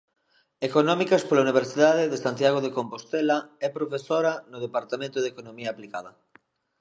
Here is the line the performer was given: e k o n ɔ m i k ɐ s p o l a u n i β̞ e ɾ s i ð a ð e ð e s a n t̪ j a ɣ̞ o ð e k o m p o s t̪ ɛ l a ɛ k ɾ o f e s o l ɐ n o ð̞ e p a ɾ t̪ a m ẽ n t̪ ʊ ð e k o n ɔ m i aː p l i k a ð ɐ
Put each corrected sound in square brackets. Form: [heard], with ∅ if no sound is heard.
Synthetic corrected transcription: e k o n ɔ m i k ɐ s p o l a u n i β̞ e ɾ s i ð a ð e ð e s a n t̪ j a ɣ̞ o ð e k o m p o s t̪ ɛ l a ɛ [p] ɾ o f e s o [ɾ] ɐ n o ð̞ e p a ɾ t̪ a m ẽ n t̪ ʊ ð e k o n [o] m i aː p l i k a ð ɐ